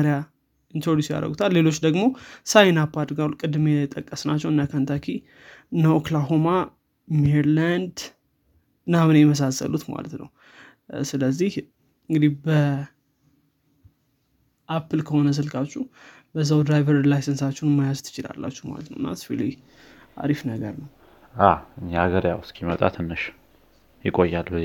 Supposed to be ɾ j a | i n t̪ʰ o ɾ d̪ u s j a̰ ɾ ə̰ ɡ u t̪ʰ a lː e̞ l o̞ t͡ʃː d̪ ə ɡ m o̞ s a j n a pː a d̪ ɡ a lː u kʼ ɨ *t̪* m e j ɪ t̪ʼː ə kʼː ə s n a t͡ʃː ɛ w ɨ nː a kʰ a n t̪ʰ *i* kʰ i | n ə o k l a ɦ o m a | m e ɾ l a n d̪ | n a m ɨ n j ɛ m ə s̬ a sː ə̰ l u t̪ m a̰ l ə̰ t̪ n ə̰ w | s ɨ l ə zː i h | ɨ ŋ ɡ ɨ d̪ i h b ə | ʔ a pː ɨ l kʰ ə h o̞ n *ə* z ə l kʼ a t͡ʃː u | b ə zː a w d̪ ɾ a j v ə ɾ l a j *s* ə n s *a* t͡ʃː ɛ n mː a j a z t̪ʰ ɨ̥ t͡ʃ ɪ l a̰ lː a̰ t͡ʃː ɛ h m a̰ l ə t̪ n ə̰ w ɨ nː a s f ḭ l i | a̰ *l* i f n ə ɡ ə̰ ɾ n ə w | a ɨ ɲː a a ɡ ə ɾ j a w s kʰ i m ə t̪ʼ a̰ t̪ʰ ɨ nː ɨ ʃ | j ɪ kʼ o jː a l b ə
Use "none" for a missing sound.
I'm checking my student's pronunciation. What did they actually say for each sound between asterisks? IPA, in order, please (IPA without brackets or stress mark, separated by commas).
d̪, a, ə, s, a, ɾ